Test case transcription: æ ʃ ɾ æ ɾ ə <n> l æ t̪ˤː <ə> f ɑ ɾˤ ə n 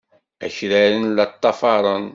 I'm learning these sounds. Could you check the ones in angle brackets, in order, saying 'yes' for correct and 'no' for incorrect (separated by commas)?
yes, no